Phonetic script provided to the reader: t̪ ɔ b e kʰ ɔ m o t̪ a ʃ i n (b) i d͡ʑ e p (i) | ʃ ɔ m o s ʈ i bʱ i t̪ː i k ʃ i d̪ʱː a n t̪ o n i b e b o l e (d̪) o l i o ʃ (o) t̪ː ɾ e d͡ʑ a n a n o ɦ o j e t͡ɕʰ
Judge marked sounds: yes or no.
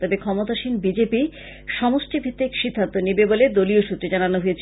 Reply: yes, yes, yes, no

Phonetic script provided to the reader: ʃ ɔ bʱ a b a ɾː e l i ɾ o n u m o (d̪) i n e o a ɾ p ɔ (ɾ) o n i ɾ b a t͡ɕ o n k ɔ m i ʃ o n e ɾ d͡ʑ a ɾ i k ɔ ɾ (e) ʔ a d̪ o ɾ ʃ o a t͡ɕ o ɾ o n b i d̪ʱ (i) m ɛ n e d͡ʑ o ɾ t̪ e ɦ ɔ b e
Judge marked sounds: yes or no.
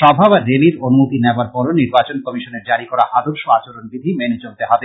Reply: no, yes, no, yes

